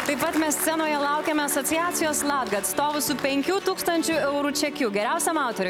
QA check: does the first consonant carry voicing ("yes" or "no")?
no